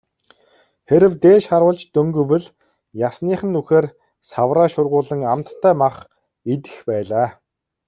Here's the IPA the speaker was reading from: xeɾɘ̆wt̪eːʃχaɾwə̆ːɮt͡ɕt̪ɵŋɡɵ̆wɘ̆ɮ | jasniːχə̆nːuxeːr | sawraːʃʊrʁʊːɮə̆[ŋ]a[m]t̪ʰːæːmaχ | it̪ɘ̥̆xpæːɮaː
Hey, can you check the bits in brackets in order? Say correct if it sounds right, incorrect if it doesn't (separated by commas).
correct, correct